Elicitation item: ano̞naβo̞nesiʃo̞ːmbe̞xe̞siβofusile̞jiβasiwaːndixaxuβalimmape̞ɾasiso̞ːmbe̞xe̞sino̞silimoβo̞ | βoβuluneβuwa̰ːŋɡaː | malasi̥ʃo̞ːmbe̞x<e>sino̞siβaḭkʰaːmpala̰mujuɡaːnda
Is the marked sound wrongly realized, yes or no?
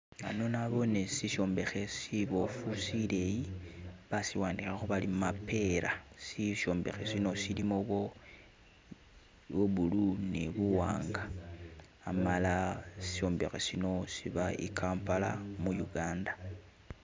no